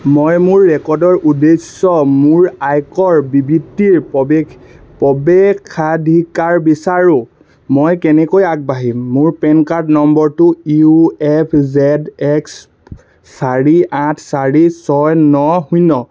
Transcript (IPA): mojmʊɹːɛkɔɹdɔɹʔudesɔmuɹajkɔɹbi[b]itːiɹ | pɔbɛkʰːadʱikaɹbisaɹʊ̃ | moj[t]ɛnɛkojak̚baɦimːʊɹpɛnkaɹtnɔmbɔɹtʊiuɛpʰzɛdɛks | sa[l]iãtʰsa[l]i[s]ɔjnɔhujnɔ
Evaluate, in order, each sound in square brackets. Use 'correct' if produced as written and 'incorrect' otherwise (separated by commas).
correct, incorrect, incorrect, incorrect, correct